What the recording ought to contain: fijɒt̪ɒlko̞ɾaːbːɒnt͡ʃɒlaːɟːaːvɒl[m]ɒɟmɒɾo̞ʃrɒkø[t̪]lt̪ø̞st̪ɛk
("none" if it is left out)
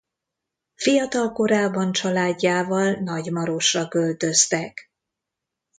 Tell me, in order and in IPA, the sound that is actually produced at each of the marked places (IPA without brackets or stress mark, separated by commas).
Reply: n, none